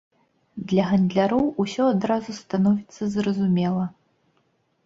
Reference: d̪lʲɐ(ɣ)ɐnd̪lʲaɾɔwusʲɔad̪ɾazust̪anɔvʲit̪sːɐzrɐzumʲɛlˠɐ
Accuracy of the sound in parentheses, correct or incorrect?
correct